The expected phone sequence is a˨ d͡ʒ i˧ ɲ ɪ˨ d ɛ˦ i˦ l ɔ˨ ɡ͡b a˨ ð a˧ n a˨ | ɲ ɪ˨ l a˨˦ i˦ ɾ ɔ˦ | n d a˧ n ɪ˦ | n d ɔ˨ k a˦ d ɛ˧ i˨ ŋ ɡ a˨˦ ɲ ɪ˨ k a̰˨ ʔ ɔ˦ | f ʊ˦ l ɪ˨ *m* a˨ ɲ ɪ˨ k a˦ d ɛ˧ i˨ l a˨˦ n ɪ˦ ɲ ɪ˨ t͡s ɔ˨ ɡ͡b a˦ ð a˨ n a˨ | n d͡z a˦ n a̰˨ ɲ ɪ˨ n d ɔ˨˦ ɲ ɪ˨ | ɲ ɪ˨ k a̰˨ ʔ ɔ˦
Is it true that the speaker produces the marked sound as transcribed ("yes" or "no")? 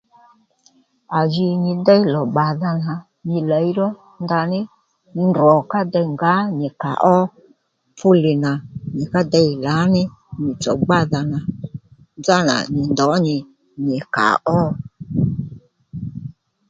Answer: no